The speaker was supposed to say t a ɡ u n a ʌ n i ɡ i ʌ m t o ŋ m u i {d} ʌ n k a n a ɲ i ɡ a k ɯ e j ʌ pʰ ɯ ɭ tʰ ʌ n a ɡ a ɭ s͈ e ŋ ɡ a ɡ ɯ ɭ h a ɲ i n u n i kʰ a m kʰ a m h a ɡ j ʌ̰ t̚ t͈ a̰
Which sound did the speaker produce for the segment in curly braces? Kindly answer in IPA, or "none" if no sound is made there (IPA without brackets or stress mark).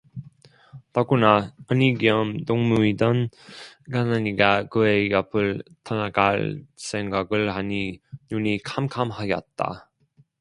d